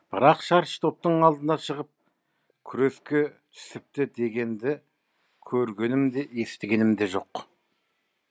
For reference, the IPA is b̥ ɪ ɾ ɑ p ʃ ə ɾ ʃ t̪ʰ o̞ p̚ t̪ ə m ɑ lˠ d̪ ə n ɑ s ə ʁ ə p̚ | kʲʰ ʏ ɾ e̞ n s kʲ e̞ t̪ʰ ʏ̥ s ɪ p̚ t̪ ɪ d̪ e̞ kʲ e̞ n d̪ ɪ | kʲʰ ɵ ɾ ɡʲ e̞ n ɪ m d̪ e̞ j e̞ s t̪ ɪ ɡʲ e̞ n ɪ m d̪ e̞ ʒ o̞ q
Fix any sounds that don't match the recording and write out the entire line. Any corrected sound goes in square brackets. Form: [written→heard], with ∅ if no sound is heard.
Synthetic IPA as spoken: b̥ ɪ ɾ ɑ [p→q] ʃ [ə→ɑ] ɾ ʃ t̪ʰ o̞ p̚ t̪ ə [m→ɴ] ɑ lˠ d̪ ə n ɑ [s→ʃ] ə ʁ ə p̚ | kʲʰ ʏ ɾ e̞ [n→∅] s kʲ e̞ t̪ʰ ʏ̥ s ɪ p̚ t̪ ɪ d̪ e̞ [kʲ→ɡʲ] e̞ n d̪ ɪ | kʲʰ ɵ ɾ ɡʲ e̞ n ɪ m d̪ e̞ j e̞ s t̪ ɪ ɡʲ e̞ n ɪ m d̪ e̞ ʒ o̞ q